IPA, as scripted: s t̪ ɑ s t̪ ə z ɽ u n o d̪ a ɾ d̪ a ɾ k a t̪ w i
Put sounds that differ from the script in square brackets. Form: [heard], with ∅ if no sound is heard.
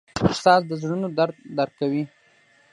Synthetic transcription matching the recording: s t̪ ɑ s [d̪] ə z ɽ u n o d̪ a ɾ d̪ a ɾ k a [∅] w i